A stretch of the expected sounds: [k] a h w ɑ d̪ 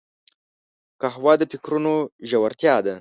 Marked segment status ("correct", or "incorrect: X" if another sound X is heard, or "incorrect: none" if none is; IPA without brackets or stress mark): correct